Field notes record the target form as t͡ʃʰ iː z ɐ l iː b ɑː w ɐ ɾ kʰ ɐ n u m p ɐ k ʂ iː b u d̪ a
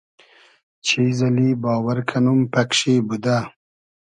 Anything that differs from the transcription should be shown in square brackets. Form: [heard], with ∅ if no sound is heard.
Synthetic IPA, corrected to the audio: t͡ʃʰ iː z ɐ l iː b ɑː w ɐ ɾ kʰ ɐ n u m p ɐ k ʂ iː b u d̪ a